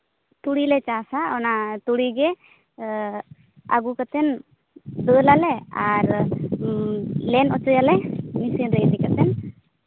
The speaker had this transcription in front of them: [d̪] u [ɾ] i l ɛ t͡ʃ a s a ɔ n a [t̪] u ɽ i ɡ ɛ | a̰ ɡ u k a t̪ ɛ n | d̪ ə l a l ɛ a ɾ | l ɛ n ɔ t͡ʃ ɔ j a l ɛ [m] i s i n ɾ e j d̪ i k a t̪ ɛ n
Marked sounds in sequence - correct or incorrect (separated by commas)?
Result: incorrect, incorrect, correct, correct